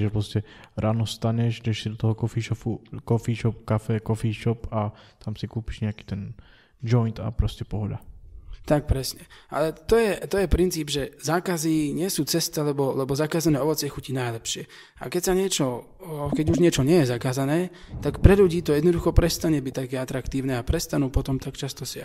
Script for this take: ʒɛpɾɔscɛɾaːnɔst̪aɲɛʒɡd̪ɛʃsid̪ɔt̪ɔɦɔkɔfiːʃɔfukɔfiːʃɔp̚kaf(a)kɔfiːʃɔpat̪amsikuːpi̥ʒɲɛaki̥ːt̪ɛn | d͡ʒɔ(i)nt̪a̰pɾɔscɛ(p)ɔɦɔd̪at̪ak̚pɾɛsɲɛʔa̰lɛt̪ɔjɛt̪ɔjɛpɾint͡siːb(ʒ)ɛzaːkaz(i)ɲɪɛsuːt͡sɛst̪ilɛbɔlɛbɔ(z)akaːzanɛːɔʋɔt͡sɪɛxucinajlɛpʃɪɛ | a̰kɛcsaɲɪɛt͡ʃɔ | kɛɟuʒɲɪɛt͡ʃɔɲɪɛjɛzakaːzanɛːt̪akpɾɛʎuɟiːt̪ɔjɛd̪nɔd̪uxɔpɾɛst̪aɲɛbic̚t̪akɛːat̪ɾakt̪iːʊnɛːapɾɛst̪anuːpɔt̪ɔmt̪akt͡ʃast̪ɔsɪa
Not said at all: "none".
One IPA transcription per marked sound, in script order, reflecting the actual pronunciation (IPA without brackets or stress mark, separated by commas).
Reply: ɛ, j, p, ʒ, i, z